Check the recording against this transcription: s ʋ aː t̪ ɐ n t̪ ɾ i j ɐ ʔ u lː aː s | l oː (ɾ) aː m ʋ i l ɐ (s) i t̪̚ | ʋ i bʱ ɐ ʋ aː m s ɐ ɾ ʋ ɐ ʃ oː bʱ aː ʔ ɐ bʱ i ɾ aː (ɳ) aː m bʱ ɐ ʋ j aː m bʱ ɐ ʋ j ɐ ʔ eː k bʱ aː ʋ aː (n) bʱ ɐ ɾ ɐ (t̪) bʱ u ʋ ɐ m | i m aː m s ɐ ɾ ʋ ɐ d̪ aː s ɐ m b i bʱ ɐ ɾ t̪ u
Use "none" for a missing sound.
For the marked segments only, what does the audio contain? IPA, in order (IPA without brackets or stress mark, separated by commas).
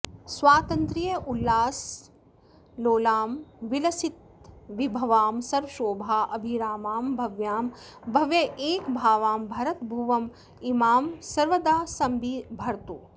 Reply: l, s, m, m, t̪